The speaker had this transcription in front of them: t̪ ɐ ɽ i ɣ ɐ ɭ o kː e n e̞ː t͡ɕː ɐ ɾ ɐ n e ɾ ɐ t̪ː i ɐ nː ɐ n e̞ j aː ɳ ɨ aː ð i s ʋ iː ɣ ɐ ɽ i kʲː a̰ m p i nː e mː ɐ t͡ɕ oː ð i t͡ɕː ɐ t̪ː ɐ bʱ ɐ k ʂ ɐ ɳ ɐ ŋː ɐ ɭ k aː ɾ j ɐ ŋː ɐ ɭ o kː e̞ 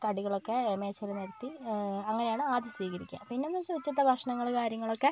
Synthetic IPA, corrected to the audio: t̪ ɐ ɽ i ɣ ɐ ɭ o kː e m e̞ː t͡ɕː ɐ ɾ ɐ n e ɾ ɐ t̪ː i ɐ ŋː ɐ n e̞ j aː ɳ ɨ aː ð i s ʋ iː ɣ ɐ ɾ i kʲː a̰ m p i nː e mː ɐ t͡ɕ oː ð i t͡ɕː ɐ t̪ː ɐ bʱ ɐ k ʂ ɐ ɳ ɐ ŋː ɐ ɭ k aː ɾ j ɐ ŋː ɐ ɭ o kː e̞